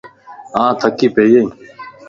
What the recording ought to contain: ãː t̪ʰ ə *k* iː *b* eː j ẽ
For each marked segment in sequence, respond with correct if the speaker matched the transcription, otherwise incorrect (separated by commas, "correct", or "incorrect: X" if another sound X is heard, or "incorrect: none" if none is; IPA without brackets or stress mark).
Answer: correct, incorrect: p